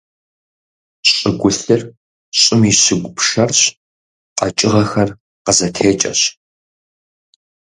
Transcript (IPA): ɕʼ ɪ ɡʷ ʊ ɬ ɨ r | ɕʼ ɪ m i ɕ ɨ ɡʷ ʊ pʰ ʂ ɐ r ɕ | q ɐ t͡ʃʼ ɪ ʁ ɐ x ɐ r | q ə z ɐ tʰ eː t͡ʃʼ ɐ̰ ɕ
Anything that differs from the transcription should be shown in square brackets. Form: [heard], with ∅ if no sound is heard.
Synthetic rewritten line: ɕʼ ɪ ɡʷ ʊ ɬ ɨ r | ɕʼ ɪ m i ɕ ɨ ɡʷ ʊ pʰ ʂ ɐ r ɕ | q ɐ t͡ʃʼ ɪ ʁ ɐ x ɐ r | q ə z ɐ tʰ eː t͡ʃʼ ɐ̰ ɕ

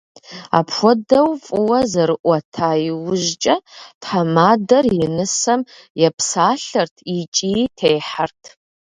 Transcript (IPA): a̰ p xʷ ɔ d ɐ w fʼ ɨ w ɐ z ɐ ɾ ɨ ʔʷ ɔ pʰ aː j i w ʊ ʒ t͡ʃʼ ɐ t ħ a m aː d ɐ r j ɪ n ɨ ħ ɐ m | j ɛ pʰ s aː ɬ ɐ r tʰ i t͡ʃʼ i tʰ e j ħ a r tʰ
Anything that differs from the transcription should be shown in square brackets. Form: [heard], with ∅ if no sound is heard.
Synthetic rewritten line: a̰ p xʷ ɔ d ɐ w fʼ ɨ w ɐ z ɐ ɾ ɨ ʔʷ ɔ [tʰ] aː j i w ʊ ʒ t͡ʃʼ ɐ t ħ a m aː d ɐ r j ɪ n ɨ [s] ɐ m | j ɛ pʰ s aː ɬ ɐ r tʰ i t͡ʃʼ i tʰ e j ħ a r tʰ

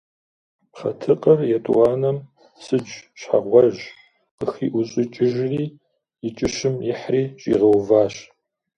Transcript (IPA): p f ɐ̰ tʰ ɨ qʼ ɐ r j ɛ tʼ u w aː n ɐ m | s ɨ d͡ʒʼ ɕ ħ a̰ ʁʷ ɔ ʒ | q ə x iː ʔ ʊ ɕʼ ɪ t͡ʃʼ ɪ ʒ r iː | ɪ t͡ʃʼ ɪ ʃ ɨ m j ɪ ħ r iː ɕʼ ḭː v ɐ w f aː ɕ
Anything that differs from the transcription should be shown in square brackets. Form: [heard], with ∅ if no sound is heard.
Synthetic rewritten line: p [χ] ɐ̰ tʰ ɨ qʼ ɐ r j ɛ tʼ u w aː n ɐ m | s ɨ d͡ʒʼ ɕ ħ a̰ ʁʷ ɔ ʒ | q ə x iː ʔ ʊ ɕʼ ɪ t͡ʃʼ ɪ ʒ r iː | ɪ t͡ʃʼ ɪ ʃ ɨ m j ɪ ħ r iː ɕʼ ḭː [ʁ] ɐ w [v] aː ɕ

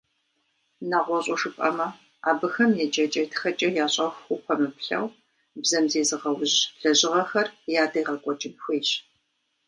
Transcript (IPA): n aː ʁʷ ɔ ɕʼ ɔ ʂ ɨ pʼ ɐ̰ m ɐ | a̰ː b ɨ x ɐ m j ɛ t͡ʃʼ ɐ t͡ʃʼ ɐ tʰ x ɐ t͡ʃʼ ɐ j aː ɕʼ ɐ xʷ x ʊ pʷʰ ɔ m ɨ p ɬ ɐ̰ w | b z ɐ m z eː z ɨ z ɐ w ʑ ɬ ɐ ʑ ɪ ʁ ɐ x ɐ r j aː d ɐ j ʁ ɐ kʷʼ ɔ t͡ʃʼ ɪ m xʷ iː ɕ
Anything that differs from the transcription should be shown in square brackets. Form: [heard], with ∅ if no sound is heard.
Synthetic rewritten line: n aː ʁʷ ɔ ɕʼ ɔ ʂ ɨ pʼ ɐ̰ m ɐ | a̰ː b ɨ x ɐ m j ɛ t͡ʃʼ ɐ t͡ʃʼ ɐ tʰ x ɐ t͡ʃʼ ɐ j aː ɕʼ ɐ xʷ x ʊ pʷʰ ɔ m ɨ p ɬ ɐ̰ w | b z ɐ m z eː z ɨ [ʁ] ɐ w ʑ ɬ ɐ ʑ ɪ ʁ ɐ x ɐ r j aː d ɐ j ʁ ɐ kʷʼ ɔ t͡ʃʼ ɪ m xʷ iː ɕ

